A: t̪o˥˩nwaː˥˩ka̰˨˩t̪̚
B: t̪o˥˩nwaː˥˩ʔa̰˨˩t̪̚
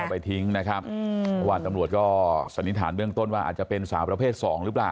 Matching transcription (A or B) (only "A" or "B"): B